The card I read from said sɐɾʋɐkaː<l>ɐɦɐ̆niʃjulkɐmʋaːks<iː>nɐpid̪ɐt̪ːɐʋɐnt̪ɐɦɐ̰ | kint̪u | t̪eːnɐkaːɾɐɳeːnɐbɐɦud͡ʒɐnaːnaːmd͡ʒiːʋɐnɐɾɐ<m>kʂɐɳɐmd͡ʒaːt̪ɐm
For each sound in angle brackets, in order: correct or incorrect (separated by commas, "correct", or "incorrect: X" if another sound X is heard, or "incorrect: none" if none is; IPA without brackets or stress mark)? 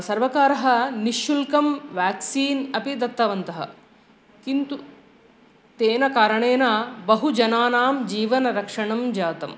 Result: incorrect: ɾ, correct, incorrect: none